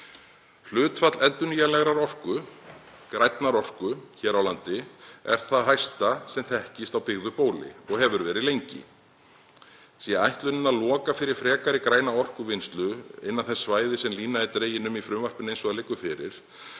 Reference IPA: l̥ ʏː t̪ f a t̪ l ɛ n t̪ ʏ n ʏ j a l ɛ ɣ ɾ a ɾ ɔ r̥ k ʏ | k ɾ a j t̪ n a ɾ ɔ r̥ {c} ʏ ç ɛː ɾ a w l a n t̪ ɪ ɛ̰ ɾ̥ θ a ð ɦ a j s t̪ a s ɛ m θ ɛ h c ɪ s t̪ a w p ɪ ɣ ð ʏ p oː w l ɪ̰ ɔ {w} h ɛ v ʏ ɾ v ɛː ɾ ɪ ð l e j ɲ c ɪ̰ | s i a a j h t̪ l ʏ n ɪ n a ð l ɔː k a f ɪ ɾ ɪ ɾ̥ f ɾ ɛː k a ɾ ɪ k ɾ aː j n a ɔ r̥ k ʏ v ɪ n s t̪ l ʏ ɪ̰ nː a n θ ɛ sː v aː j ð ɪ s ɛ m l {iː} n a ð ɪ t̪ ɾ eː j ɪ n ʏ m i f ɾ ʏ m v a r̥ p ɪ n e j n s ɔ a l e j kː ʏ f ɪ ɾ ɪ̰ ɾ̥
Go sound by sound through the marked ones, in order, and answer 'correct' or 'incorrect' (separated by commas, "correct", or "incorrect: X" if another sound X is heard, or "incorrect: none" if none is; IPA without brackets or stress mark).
incorrect: k, incorrect: ɣ, correct